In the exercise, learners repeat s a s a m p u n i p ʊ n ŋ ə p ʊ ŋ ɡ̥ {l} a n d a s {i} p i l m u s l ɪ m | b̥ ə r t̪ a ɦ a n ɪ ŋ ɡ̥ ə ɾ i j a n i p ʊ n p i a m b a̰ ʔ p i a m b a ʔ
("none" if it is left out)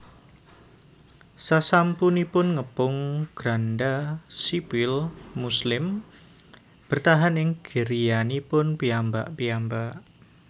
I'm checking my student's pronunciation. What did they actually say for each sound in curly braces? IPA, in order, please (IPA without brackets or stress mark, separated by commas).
ɾ, i